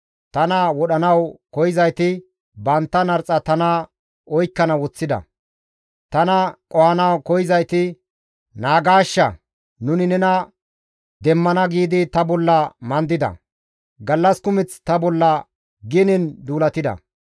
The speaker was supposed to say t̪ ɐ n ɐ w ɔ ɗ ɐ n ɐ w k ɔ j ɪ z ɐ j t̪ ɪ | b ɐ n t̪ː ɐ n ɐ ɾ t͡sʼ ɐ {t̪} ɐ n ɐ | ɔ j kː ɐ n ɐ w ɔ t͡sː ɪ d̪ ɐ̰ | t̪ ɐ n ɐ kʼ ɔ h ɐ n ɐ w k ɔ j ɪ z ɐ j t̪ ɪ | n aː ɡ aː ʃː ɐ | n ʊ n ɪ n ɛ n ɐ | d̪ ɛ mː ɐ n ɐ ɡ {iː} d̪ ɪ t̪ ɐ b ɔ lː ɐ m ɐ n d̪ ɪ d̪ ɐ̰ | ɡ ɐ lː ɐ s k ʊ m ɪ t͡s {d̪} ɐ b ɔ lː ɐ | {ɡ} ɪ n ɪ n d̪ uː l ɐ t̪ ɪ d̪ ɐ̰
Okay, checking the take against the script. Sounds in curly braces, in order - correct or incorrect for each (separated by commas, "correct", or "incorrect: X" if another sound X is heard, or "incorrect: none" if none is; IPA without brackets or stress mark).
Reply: correct, correct, incorrect: t̪, correct